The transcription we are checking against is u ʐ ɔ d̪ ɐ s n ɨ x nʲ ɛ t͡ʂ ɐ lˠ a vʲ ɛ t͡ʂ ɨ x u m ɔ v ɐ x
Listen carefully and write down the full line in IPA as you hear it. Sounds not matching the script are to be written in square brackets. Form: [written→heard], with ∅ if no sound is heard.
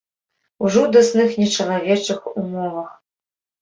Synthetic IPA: u ʐ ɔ d̪ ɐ s n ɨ x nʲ ɛ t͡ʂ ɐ lˠ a vʲ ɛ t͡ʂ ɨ x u m ɔ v ɐ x